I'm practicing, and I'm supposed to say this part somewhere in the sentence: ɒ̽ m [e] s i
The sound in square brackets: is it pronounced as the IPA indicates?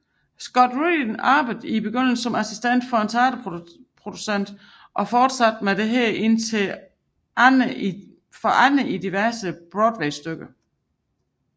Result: no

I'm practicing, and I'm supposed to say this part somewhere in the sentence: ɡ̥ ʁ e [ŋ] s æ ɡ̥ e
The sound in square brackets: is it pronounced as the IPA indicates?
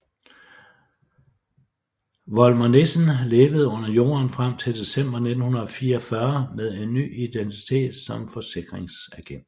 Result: yes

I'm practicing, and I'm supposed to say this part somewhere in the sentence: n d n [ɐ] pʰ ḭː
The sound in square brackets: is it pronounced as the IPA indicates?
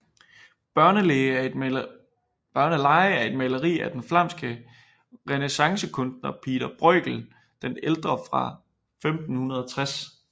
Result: yes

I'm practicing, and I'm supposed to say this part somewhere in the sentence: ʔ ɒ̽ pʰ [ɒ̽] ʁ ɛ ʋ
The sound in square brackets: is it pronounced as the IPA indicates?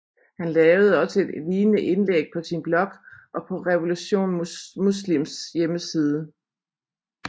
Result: yes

